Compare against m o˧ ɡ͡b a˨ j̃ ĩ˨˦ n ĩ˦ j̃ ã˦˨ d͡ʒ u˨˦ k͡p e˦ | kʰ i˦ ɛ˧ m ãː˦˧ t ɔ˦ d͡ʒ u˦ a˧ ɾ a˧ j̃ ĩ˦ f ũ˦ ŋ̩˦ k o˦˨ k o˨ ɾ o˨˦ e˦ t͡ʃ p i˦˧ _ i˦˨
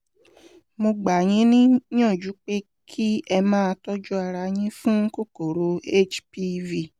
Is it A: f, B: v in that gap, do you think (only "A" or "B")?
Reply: B